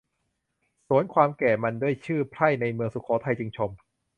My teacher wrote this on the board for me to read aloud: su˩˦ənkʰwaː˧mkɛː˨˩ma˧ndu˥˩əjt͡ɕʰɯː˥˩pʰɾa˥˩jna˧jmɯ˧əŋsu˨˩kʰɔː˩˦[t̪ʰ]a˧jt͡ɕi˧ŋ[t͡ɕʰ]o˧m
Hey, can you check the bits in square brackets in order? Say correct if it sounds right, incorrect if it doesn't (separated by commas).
correct, correct